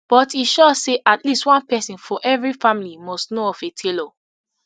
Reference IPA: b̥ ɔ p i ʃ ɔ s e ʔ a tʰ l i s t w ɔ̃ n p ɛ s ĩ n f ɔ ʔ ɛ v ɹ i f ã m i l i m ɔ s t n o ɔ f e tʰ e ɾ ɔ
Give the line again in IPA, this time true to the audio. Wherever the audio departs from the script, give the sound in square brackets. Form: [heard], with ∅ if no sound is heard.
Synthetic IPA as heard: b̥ ɔ [t] i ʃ ɔ s e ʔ a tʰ l i s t w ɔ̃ n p ɛ s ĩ n f ɔ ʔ ɛ v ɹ i f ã m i l i m ɔ s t n o ɔ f e tʰ e [l] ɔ